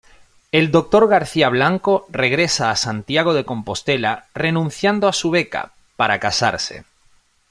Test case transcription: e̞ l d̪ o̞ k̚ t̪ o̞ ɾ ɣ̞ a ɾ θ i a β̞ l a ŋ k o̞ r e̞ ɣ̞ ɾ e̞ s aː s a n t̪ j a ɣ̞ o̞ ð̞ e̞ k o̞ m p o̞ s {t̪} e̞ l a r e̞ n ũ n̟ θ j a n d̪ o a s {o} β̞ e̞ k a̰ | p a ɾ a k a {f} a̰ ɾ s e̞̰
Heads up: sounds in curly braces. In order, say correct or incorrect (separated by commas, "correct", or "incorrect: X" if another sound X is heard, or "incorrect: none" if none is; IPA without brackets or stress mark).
correct, incorrect: u, incorrect: s